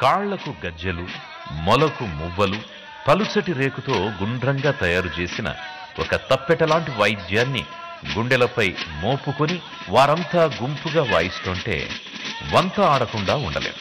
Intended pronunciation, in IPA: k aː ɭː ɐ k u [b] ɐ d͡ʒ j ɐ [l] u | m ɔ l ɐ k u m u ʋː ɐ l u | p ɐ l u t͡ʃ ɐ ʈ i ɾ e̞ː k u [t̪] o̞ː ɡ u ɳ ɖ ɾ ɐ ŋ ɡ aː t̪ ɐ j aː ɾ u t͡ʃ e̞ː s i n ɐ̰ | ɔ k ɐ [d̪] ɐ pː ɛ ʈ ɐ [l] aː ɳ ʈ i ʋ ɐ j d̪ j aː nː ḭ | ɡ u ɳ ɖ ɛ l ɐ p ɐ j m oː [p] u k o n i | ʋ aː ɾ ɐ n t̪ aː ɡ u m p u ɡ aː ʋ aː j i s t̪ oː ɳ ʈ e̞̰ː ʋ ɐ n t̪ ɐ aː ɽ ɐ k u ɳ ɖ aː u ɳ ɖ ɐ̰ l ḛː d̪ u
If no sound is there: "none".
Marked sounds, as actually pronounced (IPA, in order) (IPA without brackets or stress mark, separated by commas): ɡ, l, t̪, t̪, l, p